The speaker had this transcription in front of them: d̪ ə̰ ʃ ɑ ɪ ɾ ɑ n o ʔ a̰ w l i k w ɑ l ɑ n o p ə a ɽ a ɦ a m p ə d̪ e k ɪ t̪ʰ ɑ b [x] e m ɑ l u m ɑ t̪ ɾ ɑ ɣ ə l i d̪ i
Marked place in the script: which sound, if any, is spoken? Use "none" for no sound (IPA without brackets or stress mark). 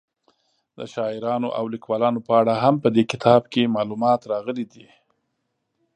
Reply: k